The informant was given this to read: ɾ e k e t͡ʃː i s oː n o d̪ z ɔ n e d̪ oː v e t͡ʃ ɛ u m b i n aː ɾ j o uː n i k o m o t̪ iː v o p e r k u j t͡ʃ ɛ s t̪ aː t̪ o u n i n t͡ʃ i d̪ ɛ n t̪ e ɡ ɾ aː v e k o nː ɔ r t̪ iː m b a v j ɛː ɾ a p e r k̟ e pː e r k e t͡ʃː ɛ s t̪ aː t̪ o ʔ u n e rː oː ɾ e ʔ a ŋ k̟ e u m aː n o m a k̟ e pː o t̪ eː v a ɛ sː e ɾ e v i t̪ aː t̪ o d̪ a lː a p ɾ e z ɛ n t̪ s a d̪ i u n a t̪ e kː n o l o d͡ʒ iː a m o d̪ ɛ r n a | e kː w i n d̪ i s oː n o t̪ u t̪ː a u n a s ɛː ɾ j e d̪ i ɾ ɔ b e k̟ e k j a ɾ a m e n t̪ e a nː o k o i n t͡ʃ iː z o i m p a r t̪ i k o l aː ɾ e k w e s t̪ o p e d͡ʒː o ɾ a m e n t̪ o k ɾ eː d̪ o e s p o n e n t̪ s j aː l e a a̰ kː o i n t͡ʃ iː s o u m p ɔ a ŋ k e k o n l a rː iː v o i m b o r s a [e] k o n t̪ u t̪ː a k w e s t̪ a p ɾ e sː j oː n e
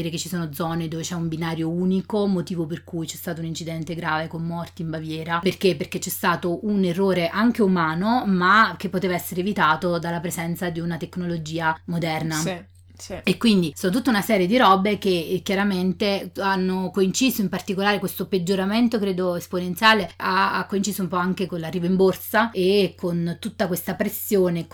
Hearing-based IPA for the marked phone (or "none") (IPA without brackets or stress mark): e